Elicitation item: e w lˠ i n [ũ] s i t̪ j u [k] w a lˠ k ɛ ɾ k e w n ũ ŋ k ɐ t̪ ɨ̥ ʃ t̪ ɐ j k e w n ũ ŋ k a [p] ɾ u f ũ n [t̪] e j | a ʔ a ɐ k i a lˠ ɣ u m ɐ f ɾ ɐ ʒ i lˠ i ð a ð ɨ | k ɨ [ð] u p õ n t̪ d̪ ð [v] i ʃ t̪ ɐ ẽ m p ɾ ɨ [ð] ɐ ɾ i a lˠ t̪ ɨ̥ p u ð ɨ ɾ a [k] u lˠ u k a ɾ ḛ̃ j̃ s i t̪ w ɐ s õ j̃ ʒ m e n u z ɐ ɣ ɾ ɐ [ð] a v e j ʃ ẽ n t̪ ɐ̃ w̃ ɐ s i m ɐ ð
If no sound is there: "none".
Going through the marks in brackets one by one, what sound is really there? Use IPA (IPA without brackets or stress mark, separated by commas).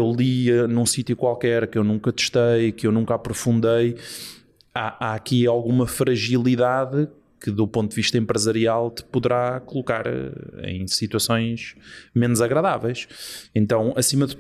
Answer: ũ, k, p, d̪, ð, v, z, k, ð